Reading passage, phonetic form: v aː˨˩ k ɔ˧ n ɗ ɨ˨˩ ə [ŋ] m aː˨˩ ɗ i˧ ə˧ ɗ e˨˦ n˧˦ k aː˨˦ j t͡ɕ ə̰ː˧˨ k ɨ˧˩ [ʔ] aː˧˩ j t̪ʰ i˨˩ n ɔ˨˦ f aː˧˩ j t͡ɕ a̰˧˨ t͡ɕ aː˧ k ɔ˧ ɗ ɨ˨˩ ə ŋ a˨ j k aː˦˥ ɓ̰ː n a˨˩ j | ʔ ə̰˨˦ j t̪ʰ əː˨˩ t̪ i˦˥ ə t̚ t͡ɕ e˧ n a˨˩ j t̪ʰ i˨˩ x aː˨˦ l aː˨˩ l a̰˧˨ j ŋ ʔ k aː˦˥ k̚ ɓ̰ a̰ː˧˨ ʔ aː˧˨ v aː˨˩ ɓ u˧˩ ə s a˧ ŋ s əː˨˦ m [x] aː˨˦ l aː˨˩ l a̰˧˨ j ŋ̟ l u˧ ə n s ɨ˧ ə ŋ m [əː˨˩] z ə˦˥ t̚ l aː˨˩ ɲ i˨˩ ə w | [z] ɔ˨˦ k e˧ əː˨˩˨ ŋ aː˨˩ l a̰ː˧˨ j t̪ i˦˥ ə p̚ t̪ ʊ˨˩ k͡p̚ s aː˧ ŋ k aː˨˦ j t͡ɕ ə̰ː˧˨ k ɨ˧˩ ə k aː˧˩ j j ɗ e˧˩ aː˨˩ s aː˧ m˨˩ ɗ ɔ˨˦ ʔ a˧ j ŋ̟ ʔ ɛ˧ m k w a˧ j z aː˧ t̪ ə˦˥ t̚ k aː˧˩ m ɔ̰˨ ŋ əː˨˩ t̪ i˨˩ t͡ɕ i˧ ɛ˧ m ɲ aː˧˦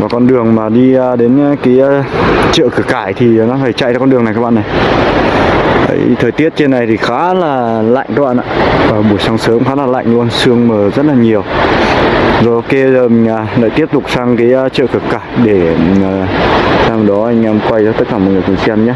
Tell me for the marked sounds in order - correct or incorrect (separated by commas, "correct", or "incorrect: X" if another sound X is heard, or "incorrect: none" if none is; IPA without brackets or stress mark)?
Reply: correct, incorrect: k, correct, correct, correct